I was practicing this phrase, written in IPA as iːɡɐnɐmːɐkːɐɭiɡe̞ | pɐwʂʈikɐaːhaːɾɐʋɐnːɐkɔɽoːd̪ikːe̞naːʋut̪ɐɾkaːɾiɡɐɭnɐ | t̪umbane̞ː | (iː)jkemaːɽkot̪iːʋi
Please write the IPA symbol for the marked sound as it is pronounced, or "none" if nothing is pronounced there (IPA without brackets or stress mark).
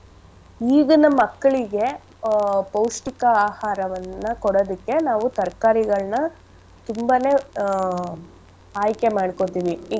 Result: aː